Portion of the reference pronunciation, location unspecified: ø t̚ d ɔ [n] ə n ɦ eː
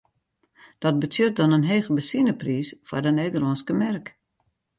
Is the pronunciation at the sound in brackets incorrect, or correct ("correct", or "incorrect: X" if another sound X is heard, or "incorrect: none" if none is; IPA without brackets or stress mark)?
correct